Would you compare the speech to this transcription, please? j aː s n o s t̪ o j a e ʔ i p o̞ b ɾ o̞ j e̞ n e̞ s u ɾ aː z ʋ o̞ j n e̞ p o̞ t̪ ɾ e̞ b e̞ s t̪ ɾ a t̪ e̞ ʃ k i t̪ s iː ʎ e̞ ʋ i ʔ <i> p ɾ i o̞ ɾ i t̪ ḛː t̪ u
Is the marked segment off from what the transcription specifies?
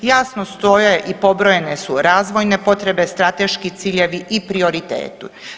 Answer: no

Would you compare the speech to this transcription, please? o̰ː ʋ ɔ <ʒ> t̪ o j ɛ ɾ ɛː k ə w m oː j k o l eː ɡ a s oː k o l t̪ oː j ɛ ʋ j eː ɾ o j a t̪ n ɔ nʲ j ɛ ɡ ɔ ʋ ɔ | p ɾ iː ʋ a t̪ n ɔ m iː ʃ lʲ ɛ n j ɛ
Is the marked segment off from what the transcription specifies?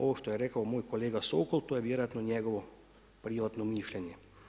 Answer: yes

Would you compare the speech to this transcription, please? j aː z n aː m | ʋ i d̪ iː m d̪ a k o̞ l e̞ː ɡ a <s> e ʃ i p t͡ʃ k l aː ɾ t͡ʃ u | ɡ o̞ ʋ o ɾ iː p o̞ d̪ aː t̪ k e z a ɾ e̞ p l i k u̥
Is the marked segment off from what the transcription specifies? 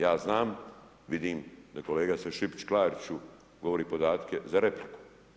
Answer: no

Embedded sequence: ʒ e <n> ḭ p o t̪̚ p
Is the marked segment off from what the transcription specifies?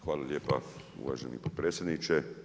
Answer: no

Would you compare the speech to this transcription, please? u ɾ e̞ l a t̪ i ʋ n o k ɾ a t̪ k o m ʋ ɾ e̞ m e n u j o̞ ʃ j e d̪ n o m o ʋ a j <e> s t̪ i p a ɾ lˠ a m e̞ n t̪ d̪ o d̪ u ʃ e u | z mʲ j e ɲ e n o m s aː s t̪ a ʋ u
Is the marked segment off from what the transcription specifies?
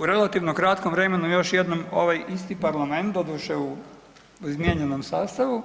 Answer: yes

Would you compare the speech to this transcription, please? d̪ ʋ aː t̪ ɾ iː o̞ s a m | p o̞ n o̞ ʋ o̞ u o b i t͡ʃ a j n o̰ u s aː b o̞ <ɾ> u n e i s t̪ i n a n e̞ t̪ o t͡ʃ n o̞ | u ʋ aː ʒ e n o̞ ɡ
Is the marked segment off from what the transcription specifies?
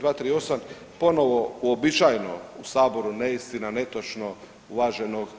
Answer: no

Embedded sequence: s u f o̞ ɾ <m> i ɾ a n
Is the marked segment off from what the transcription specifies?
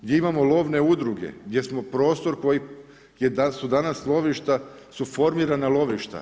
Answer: no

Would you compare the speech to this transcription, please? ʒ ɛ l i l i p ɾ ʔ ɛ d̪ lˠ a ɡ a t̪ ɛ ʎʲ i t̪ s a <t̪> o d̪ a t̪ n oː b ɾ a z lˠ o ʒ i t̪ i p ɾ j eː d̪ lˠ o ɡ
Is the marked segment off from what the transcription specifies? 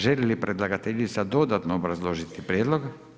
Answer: yes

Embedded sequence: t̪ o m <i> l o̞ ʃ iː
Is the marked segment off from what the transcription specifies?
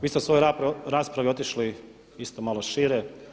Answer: yes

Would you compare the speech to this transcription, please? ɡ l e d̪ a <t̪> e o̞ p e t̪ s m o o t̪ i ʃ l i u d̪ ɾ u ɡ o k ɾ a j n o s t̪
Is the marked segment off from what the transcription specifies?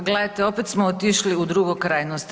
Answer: no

